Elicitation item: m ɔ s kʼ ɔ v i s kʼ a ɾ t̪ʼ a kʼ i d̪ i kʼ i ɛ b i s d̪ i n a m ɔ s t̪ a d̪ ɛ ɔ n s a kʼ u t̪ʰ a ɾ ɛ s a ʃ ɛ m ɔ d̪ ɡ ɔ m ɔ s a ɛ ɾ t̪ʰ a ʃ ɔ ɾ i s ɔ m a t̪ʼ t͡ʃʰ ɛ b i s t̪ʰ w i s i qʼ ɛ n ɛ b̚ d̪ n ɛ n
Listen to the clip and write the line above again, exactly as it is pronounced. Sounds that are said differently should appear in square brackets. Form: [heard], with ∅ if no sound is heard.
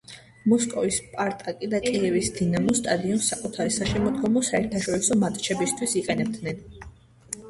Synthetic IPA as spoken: m ɔ s kʼ ɔ v i s [pʼ] a ɾ t̪ʼ a kʼ i d̪ [a] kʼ i ɛ [v] i s d̪ i n a m ɔ s [t̪ʼ] a d̪ [i] ɔ n s a kʼ u t̪ʰ a ɾ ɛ s a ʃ ɛ m ɔ d̪ ɡ ɔ m ɔ s a ɛ ɾ t̪ʰ a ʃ ɔ ɾ i s ɔ m a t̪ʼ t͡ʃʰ ɛ b i s t̪ʰ w i s i qʼ ɛ n ɛ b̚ d̪ n ɛ n